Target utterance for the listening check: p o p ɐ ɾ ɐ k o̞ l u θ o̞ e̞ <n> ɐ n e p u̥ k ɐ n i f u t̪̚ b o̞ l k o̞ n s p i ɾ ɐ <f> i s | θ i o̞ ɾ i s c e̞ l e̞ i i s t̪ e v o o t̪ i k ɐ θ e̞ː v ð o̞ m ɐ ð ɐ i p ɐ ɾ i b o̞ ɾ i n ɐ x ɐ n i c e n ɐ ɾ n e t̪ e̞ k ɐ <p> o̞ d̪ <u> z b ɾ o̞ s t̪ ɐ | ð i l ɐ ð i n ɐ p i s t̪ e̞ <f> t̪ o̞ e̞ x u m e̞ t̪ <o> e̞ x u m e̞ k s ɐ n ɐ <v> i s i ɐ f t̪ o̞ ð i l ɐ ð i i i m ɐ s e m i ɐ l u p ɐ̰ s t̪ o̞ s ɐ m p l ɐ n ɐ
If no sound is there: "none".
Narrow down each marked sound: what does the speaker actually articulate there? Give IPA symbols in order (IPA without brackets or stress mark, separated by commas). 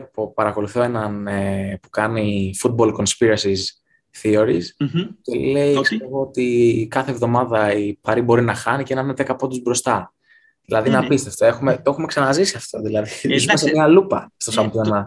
n, s, p, u, f, o, z